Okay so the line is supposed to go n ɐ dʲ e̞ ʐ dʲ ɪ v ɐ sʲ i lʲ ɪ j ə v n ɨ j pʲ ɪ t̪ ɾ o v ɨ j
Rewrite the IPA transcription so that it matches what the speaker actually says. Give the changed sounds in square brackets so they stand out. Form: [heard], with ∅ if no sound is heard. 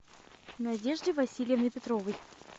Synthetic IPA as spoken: n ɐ dʲ e̞ ʐ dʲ ɪ v ɐ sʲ i lʲ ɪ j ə v n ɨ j pʲ ɪ t̪ ɾ o v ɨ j